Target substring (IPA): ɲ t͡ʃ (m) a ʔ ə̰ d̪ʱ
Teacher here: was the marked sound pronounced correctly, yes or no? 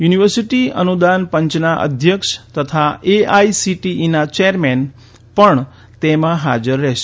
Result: no